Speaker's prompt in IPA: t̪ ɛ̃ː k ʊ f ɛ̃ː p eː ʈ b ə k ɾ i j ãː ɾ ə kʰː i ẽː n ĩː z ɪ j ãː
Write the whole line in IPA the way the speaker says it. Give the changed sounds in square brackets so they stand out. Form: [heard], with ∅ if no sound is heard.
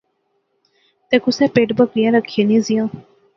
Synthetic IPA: t̪ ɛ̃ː k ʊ [s] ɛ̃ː p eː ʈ b ə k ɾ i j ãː ɾ ə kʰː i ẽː n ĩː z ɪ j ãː

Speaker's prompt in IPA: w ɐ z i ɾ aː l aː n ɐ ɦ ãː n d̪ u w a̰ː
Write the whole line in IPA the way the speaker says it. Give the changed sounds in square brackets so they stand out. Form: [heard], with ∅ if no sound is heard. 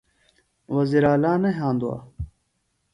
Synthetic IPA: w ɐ z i ɾ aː l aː n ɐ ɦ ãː n d̪ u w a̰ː

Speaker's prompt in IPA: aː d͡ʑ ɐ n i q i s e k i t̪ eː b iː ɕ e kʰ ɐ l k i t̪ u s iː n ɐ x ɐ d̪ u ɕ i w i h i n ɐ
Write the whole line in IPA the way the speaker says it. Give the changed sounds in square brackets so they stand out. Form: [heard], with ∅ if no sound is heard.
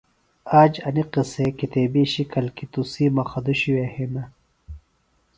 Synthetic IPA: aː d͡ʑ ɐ n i q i s e k i t̪ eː b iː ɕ [i] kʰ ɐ l k i t̪ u s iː [m] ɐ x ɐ d̪ u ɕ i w [e] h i n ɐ

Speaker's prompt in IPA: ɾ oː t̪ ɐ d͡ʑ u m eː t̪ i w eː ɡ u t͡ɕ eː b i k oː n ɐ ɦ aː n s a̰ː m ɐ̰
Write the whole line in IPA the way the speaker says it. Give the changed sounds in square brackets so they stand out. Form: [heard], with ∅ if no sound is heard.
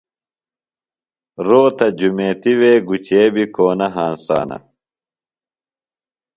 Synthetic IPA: ɾ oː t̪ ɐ d͡ʑ u m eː t̪ i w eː ɡ u t͡ɕ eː b i k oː n ɐ ɦ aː n s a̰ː [n] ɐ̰

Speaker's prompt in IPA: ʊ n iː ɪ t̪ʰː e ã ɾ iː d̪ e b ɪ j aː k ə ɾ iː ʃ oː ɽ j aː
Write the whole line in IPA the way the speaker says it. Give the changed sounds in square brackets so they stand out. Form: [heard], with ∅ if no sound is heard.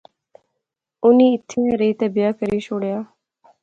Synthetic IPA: ʊ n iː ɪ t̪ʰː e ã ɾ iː [t̪] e b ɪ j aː k ə ɾ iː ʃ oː ɽ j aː

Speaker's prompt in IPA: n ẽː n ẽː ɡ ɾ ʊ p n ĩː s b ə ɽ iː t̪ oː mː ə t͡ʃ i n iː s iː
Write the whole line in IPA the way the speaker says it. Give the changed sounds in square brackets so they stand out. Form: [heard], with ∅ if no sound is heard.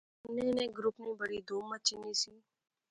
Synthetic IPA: n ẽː n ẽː ɡ ɾ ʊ p n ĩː [∅] b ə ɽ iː [d̪] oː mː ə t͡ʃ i n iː s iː

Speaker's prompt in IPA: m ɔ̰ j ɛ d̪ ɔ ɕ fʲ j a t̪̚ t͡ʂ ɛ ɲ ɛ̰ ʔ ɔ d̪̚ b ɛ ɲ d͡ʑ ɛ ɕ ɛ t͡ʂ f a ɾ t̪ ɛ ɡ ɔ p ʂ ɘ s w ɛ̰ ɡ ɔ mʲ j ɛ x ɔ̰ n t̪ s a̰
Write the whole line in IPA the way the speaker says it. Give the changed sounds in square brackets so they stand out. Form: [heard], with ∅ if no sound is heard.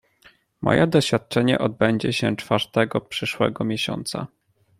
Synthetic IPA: m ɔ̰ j ɛ d̪ ɔ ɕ fʲ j a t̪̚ t͡ʂ ɛ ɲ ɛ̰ ʔ ɔ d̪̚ b ɛ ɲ d͡ʑ ɛ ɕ ɛ t͡ʂ f a ɾ t̪ ɛ ɡ ɔ p ʂ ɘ [ʂ] w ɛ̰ ɡ ɔ mʲ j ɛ [ɕ] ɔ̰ n t̪ s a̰

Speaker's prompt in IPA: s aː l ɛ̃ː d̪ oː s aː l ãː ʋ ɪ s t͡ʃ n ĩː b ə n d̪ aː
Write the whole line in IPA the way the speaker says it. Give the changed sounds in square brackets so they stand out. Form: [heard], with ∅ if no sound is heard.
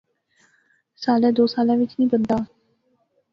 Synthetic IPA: s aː l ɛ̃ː d̪ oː s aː l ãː ʋ ɪ [∅] t͡ʃ n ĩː b ə n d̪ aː

